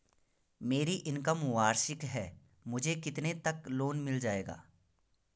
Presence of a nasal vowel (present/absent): absent